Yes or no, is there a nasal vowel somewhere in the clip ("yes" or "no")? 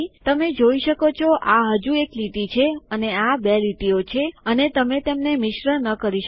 no